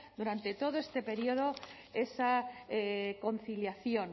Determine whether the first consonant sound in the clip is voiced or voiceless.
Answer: voiced